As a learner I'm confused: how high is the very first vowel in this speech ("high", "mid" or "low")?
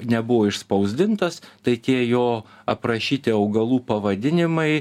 mid